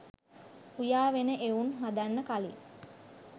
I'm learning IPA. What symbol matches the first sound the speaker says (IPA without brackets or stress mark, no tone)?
u